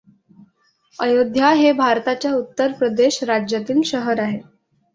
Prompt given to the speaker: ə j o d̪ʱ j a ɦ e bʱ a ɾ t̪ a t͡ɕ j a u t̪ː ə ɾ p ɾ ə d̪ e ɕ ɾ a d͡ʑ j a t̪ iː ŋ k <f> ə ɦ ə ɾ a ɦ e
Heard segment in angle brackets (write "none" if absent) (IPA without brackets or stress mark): ɕ